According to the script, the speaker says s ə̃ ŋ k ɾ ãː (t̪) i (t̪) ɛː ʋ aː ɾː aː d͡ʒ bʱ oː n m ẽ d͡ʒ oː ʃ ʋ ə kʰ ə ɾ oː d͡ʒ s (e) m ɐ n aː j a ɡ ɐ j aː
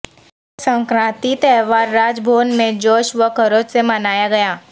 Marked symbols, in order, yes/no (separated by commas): yes, yes, yes